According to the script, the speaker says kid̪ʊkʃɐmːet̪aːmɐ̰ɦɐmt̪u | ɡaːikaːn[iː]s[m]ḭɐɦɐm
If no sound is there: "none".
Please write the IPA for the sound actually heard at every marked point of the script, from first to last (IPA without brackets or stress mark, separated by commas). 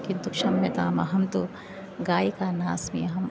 aː, m